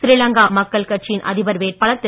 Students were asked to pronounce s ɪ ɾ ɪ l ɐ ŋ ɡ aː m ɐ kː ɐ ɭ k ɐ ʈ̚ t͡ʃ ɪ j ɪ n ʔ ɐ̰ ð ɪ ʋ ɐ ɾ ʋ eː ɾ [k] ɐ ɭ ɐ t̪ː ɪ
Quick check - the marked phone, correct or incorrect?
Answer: incorrect